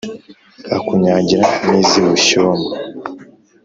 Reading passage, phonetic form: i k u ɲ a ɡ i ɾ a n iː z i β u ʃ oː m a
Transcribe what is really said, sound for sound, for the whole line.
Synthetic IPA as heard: a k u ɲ a ɟ i ɾ a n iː z i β u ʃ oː m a